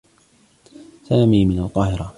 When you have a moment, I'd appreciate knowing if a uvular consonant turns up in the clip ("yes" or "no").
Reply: yes